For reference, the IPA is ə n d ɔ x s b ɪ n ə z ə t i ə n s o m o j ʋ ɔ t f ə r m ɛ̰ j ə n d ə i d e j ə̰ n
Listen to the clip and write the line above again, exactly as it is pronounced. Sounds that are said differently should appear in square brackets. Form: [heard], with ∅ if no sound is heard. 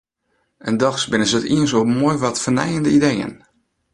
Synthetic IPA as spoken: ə n d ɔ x s b ɪ n ə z ə t i ə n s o m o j ʋ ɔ t f ə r [n] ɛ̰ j ə n d ə i d e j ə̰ n

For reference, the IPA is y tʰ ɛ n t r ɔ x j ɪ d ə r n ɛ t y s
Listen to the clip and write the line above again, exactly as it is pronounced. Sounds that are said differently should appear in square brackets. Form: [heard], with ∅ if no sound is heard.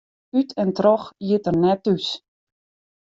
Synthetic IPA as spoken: y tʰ ɛ n t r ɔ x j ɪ [t] ə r n ɛ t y s

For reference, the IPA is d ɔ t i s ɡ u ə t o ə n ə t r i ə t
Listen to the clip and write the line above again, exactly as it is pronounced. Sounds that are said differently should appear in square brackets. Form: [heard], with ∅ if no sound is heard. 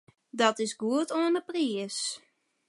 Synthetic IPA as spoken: d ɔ t [ɪ] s ɡ u ə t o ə n ə [p] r i ə [s]

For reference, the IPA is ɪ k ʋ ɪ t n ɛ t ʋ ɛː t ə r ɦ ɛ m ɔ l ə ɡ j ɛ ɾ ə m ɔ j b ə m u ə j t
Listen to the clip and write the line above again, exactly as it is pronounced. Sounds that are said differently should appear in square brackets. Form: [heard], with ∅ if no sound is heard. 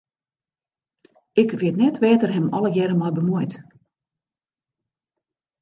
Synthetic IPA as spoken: ɪ k ʋ ɪ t n ɛ t ʋ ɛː t ə r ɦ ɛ m ɔ l ə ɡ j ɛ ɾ ə m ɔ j b ə m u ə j t

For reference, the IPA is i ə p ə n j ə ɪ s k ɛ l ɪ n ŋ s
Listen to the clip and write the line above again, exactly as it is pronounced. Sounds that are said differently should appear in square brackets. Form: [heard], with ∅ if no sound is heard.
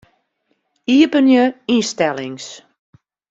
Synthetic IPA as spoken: i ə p ə n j ə [i] s [t] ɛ l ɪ [∅] ŋ s

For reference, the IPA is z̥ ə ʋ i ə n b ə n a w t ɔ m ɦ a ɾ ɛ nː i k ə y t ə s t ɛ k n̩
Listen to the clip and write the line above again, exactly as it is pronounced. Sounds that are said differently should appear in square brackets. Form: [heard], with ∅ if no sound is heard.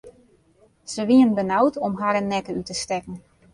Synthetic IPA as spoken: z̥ ə ʋ i ə n b ə n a w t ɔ m ɦ a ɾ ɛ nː [ɛ] k ə y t ə s t ɛ k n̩

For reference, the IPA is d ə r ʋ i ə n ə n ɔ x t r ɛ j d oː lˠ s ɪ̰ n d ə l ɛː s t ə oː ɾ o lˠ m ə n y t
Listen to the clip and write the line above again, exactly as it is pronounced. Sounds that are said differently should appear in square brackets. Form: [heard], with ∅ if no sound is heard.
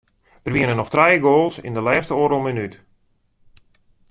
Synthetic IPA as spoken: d ə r ʋ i ə n ə n ɔ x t r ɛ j [ɡ] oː lˠ s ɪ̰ n d ə l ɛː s t ə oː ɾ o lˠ m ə n y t

